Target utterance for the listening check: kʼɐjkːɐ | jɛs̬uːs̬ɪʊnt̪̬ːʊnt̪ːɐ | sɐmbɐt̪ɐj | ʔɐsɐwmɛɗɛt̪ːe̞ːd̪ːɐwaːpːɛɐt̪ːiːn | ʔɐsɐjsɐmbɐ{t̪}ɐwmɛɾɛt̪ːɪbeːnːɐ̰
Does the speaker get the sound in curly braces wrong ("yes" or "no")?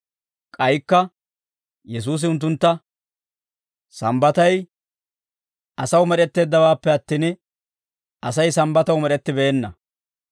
no